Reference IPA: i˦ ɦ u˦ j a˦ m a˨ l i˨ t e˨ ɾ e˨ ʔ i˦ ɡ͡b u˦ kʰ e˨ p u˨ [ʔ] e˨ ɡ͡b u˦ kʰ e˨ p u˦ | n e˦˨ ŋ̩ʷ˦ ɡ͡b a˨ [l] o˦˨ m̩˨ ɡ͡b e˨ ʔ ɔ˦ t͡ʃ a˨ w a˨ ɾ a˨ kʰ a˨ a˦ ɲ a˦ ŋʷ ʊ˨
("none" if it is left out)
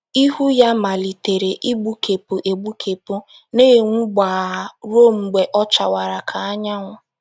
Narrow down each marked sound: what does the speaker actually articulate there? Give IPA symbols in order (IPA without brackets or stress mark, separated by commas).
ʔ, ɾ